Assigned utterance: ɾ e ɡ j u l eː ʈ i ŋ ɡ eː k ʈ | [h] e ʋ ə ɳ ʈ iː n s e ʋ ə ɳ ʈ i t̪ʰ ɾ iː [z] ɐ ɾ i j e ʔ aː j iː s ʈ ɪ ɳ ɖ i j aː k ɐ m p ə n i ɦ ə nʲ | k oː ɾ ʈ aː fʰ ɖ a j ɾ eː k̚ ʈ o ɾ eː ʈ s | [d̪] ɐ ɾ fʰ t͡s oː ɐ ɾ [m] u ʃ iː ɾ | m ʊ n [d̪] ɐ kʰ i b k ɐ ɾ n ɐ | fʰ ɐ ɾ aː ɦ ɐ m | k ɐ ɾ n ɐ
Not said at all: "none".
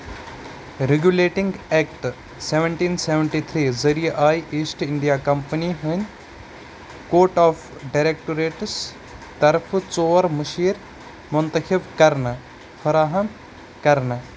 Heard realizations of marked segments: s, z, t̪, m, t̪

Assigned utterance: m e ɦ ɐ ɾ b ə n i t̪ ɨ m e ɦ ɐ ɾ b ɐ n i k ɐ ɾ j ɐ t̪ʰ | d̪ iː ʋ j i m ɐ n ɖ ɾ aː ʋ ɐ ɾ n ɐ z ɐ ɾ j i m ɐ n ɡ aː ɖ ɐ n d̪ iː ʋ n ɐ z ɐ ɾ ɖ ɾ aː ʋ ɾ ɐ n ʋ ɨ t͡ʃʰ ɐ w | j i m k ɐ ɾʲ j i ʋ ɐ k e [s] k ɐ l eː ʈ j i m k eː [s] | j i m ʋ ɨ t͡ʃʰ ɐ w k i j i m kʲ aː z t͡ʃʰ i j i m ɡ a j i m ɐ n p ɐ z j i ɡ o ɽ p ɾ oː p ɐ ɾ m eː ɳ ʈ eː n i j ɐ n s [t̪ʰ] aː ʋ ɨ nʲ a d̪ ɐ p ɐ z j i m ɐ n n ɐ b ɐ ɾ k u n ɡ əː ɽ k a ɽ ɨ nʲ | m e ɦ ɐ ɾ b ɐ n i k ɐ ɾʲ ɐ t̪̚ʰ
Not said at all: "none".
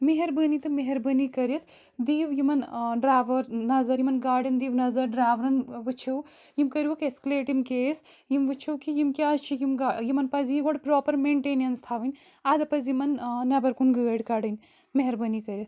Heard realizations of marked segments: s, s, t̪ʰ

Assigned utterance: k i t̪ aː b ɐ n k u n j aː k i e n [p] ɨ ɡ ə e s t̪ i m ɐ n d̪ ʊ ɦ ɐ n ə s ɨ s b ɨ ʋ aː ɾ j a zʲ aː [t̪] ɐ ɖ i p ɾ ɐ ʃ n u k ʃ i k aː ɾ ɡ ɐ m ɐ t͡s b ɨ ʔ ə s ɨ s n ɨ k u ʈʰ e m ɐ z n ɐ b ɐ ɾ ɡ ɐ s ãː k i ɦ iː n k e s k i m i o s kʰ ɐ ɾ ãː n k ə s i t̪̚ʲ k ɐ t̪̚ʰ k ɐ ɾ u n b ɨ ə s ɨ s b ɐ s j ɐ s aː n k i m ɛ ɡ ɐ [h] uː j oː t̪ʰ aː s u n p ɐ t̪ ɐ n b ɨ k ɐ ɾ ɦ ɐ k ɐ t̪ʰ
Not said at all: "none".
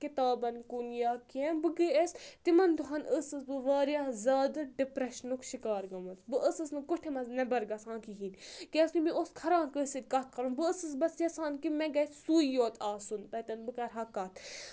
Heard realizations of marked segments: b, d̪, s

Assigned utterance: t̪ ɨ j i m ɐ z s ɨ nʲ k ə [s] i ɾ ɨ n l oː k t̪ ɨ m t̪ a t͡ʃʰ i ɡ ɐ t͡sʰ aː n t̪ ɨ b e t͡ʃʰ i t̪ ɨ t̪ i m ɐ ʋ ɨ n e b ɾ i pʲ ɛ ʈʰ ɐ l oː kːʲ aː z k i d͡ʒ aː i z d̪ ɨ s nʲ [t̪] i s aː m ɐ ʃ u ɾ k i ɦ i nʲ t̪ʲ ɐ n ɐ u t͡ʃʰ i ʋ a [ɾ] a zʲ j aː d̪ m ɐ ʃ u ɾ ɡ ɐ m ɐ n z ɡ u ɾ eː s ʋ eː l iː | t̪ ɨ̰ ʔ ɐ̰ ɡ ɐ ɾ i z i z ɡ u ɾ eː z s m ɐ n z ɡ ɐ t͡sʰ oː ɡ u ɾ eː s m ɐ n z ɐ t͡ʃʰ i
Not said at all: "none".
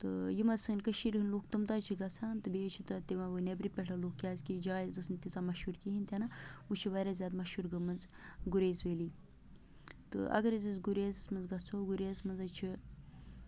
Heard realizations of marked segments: ʃ, t̪, ɾ

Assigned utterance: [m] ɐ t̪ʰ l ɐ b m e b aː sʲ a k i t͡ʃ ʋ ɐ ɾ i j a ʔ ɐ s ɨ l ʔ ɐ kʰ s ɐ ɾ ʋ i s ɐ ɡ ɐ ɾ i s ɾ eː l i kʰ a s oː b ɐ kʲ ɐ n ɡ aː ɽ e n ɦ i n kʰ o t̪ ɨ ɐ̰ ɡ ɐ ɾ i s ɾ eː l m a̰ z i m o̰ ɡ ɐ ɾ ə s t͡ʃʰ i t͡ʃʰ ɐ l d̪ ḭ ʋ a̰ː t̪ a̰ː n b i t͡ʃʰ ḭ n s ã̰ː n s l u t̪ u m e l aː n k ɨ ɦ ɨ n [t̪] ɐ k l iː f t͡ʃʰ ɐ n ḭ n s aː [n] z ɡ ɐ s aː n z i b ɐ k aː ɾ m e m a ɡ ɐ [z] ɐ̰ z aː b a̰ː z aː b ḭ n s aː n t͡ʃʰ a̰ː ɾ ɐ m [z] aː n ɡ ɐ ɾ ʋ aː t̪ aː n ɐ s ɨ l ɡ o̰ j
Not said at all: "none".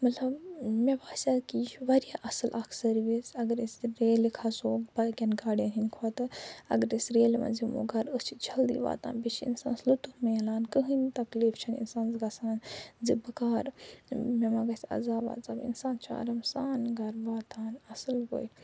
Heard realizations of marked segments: m, t̪, n, s, s

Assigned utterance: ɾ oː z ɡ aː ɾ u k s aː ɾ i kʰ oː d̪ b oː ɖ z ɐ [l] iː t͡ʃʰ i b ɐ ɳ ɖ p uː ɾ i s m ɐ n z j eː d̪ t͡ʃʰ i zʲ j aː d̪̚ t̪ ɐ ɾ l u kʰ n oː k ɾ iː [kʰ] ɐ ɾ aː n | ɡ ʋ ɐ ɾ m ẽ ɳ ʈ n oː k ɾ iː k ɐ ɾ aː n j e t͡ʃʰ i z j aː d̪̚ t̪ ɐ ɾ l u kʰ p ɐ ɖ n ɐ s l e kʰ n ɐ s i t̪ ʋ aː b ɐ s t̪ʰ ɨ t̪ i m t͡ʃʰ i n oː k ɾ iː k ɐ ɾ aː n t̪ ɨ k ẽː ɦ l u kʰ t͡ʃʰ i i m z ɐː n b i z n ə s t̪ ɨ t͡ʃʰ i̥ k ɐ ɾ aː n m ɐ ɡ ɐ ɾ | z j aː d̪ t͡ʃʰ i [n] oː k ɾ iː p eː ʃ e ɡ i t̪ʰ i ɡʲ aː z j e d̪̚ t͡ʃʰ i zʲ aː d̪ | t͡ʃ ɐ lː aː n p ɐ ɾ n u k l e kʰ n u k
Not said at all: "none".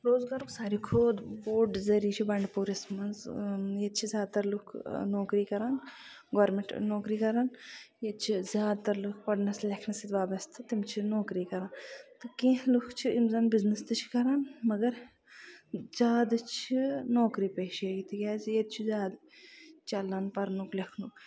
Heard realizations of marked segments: ɾ, k, n

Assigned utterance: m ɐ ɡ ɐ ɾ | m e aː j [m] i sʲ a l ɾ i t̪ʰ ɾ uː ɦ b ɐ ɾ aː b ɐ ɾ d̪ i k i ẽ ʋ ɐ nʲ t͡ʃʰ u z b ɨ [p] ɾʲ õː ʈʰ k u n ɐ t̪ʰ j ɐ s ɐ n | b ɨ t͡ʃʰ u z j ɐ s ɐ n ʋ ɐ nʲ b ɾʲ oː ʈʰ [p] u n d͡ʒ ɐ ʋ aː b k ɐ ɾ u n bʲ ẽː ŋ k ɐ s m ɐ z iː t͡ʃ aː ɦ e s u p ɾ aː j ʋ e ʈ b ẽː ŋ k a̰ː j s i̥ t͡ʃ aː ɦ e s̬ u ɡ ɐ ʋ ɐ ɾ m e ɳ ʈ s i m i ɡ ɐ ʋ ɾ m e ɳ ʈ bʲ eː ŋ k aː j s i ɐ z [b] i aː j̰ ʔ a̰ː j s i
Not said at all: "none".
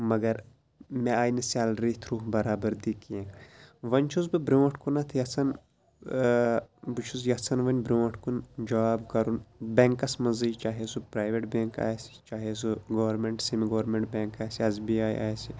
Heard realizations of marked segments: n, b, k, b

